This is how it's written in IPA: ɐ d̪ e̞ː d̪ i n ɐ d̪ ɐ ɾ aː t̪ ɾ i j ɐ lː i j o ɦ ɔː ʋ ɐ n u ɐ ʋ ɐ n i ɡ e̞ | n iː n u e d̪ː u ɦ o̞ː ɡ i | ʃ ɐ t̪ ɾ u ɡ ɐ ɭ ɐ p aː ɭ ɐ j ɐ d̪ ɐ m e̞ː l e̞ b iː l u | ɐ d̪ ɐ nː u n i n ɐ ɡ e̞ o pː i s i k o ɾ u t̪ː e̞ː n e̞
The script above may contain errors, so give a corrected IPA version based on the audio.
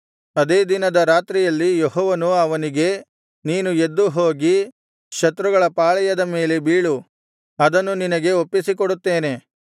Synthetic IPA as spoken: ɐ d̪ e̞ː d̪ i n ɐ d̪ ɐ ɾ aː t̪ ɾ i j ɐ lː i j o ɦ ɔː ʋ ɐ n u ɐ ʋ ɐ n i ɡ e̞ | n iː n u e d̪ː u ɦ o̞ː ɡ i | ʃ ɐ t̪ ɾ u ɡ ɐ ɭ ɐ p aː ɭ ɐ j ɐ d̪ ɐ m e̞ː l e̞ b iː ɭ u | ɐ d̪ ɐ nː u n i n ɐ ɡ e̞ o pː i s i k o ɽ u t̪ː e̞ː n e̞